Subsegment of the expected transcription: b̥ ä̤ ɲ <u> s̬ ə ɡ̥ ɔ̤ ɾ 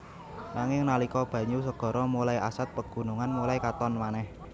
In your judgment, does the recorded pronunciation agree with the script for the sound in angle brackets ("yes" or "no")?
yes